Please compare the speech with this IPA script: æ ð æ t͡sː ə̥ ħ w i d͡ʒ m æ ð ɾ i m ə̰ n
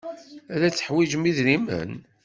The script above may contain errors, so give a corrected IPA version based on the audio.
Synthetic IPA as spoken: æ ð æ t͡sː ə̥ ħ w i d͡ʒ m i ð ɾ i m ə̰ n